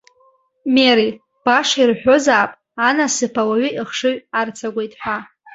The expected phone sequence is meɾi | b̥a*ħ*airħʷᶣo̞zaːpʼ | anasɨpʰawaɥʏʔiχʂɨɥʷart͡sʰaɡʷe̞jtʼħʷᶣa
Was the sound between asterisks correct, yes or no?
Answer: no